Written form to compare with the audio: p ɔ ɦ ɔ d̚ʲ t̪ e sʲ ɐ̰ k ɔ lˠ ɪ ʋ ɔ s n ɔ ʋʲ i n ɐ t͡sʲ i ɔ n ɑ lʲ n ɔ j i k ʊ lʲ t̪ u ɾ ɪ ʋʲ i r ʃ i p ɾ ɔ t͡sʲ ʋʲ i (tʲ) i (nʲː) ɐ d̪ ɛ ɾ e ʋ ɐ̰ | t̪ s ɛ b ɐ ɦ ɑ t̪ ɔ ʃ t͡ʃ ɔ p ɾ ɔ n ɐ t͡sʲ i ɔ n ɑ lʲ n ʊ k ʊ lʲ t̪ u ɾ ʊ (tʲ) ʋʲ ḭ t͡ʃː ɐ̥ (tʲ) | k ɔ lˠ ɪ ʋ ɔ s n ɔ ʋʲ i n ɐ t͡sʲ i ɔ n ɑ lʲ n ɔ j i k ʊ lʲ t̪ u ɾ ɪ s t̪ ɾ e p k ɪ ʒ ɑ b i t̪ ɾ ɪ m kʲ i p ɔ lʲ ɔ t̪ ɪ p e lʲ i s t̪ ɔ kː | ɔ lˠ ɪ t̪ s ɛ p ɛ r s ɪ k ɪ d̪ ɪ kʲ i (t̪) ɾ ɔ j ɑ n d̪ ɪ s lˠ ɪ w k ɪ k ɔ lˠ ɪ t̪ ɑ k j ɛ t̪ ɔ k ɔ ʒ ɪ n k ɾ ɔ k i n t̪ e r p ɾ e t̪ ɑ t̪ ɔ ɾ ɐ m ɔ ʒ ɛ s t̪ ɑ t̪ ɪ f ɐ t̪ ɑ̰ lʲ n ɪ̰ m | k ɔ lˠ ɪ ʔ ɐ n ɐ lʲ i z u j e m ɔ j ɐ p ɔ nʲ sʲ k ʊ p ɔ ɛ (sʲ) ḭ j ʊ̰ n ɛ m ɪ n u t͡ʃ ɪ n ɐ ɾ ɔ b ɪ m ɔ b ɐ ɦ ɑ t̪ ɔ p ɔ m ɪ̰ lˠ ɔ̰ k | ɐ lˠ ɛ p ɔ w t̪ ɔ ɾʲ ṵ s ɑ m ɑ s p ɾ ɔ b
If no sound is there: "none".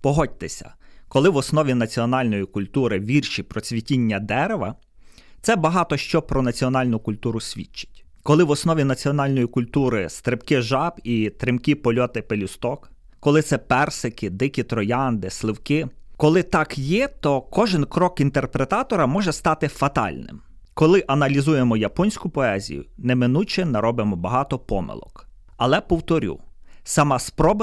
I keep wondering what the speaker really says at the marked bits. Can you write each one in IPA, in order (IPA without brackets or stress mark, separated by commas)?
tʲ, nʲː, sʲ, tʲ, t̪, zʲ